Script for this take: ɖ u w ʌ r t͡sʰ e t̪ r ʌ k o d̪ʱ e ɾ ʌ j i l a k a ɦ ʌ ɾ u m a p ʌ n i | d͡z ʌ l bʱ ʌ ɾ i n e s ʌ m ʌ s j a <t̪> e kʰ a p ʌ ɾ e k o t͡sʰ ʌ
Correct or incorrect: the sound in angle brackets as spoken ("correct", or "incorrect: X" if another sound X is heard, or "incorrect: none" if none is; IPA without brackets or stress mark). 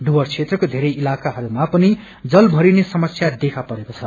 incorrect: d̪